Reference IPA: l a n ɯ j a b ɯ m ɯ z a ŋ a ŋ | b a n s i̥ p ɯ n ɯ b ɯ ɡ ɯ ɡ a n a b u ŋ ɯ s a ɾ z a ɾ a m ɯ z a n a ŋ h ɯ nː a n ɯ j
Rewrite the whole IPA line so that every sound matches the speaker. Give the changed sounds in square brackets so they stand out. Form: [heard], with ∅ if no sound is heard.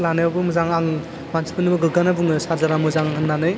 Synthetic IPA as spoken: l a n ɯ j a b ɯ m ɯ z a ŋ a ŋ | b a n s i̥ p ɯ n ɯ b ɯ ɡ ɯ ɡ a n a b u ŋ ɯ s a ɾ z a ɾ a m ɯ z a [ŋ] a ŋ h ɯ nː a n ɯ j